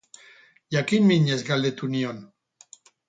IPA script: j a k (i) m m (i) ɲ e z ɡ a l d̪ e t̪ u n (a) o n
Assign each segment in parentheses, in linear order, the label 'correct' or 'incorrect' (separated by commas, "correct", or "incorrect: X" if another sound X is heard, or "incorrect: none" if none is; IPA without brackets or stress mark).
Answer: correct, correct, incorrect: i